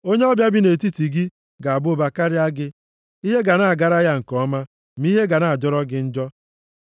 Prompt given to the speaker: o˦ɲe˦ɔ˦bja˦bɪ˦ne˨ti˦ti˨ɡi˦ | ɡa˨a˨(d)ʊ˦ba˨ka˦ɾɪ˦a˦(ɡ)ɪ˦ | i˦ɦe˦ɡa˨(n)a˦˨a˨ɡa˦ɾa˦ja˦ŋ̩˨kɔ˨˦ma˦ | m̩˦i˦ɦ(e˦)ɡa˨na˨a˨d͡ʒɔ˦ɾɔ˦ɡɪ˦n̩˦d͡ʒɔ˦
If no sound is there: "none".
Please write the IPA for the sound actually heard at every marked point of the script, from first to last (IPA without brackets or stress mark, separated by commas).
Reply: b, ɡ, n, e˦